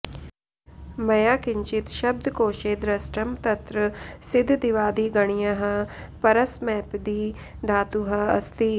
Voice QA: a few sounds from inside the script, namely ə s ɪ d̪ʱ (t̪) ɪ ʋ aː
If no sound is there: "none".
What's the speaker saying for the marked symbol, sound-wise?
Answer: d̪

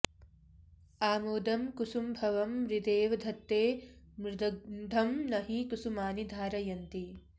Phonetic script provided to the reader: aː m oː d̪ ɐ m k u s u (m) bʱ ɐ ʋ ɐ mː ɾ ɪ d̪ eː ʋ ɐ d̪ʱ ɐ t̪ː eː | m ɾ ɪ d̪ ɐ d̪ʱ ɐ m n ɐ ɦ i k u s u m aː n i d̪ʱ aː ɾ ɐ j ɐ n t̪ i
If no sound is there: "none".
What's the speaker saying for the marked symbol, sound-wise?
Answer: m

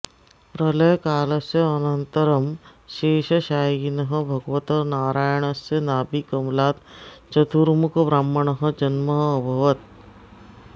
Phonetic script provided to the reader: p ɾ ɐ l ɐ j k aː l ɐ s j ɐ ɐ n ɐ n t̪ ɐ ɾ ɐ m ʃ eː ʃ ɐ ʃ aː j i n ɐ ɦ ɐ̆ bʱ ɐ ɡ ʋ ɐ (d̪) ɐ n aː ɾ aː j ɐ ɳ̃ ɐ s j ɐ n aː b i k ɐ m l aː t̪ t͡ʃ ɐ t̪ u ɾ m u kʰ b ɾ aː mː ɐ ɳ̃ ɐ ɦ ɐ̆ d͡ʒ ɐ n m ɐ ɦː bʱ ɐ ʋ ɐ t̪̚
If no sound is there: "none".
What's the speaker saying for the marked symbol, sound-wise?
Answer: t̪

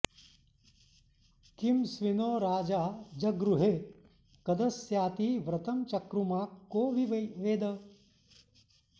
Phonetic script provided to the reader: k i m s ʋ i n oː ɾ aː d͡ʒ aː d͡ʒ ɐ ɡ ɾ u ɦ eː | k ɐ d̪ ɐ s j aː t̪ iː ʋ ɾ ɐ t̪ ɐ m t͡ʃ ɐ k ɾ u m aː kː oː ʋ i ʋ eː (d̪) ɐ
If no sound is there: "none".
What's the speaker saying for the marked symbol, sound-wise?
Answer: d̪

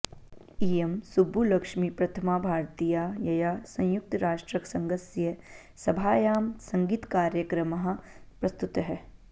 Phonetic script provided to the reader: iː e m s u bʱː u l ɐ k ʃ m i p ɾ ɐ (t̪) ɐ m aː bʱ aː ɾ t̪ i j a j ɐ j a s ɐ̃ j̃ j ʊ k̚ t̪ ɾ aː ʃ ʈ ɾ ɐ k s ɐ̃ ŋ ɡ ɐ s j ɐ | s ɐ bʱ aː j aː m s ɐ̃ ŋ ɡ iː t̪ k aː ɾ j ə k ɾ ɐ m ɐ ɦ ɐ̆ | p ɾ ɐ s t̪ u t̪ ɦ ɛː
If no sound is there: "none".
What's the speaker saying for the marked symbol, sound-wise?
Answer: t̪ʰ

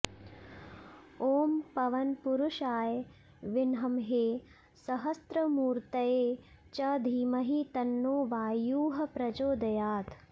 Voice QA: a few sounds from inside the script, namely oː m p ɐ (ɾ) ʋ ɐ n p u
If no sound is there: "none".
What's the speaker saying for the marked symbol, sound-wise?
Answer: none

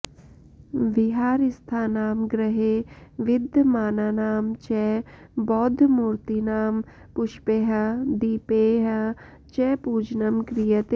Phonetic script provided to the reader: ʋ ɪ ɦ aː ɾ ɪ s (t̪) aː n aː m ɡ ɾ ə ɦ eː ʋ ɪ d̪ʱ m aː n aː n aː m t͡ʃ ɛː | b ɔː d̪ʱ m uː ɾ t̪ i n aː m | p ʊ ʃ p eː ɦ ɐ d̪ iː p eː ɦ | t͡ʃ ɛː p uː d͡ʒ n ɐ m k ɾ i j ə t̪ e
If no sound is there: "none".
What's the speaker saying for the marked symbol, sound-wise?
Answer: t̪ʰ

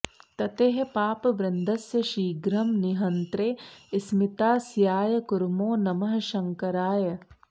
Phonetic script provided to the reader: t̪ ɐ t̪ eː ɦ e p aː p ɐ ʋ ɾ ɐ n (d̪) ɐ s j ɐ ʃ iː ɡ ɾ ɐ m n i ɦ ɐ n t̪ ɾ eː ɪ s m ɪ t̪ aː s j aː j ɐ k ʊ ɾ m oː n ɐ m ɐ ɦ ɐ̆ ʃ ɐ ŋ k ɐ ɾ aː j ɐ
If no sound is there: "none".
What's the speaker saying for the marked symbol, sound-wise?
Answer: d̪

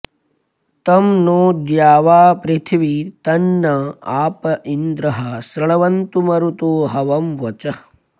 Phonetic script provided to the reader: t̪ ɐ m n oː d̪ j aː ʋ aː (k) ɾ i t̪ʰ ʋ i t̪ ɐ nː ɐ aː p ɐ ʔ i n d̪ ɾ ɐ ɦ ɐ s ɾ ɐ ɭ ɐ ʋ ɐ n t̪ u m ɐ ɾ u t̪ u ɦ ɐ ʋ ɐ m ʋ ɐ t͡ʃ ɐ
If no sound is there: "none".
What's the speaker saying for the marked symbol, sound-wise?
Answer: p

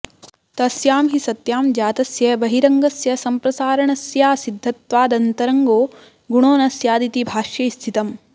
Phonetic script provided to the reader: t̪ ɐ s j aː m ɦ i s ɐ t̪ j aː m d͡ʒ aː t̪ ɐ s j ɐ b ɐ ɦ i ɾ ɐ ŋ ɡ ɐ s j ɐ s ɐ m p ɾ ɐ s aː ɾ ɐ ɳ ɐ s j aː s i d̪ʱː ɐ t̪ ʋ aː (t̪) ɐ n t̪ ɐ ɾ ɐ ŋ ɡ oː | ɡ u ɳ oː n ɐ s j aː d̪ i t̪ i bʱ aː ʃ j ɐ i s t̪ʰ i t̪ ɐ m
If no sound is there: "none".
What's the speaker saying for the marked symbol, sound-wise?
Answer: d̪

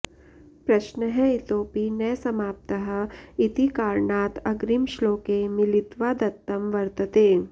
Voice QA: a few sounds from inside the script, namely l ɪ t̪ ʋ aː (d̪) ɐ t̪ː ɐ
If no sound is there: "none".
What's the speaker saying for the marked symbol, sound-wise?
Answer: d̪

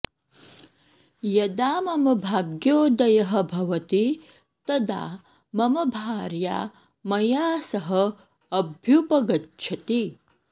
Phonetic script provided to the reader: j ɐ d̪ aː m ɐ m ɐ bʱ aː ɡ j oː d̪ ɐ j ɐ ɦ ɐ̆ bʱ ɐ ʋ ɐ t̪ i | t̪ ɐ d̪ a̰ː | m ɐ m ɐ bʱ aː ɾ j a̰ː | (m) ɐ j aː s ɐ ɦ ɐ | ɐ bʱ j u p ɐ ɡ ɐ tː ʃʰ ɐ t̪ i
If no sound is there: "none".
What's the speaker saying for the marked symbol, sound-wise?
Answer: m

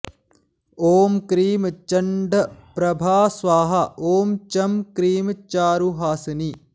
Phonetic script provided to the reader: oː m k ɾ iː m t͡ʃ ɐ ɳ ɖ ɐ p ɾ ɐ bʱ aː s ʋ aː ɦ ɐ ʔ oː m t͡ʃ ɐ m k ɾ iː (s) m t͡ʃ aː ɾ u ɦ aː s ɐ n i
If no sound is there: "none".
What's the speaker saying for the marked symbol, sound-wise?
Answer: none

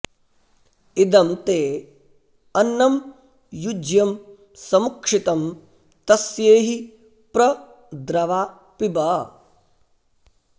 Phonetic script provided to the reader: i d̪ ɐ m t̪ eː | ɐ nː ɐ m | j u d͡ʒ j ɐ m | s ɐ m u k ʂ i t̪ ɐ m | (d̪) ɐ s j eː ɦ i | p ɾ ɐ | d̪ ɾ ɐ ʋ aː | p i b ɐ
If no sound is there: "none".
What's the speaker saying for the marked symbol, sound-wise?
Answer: t̪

